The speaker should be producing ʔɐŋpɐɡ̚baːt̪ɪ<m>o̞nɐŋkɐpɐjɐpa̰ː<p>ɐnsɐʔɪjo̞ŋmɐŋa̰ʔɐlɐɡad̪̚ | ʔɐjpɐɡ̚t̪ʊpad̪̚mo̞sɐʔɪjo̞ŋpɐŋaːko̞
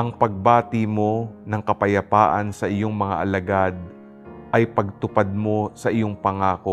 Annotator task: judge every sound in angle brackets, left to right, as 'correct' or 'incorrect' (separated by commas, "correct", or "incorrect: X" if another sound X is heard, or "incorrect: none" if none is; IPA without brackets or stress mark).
correct, incorrect: ʔ